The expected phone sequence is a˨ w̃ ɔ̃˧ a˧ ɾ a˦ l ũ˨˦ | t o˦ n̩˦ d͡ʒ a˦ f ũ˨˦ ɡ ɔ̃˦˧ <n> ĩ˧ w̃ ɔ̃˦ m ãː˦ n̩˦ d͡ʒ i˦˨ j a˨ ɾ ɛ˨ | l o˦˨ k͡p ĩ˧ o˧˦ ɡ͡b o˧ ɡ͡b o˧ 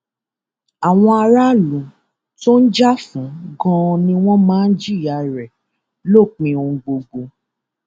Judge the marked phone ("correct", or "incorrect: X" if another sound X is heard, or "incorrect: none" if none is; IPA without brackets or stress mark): correct